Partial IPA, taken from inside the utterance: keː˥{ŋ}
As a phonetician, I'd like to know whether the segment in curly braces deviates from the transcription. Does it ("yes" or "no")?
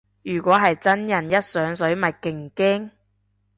no